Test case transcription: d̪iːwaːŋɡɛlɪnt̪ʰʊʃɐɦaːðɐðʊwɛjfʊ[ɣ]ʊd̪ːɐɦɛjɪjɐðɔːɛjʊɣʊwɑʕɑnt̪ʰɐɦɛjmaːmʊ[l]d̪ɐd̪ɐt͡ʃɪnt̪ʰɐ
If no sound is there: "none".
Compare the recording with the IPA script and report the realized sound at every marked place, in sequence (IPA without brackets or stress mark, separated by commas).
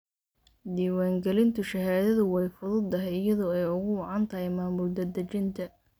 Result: ð, l